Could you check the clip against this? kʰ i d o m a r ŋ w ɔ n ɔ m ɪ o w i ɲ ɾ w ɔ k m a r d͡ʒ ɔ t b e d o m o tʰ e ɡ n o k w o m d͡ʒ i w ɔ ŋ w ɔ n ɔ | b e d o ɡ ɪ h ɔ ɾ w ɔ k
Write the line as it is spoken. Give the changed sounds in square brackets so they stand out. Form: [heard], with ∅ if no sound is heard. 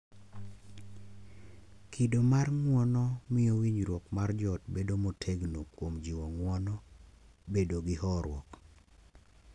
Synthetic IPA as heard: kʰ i d o m a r ŋ w ɔ n ɔ m ɪ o w i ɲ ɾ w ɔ k m a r d͡ʒ ɔ t b e d o m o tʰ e ɡ n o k w o m d͡ʒ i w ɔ ŋ w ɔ n ɔ | b e d o ɡ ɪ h ɔ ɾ w ɔ k